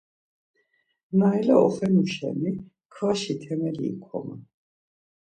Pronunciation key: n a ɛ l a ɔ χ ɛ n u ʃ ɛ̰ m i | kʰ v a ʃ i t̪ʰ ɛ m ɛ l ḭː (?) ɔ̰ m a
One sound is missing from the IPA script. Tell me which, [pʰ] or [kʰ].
kʰ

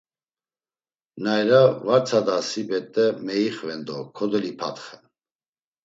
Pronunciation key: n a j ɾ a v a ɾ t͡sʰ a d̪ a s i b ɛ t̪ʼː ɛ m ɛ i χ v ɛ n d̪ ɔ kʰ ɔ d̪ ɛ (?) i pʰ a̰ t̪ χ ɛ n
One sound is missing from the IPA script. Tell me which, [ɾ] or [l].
l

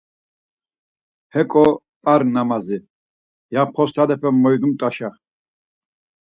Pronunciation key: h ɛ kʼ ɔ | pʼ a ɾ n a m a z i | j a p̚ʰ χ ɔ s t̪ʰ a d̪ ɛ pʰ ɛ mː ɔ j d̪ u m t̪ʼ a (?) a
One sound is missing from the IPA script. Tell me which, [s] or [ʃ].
ʃ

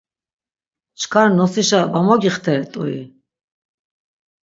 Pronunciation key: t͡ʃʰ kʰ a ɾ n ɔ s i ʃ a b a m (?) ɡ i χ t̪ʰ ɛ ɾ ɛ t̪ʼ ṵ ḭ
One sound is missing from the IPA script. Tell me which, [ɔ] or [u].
ɔ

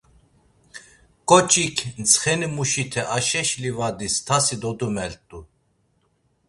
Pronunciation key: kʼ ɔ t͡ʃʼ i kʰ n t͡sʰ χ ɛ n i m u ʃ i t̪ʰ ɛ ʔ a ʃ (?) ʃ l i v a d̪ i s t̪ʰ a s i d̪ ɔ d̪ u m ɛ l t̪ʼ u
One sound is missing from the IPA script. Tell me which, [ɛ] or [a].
ɛ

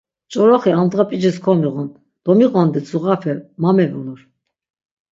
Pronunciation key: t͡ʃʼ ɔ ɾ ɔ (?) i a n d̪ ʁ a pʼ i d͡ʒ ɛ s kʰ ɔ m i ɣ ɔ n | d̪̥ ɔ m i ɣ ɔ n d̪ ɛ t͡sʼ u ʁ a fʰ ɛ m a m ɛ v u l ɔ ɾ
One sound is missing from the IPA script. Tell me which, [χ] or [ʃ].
χ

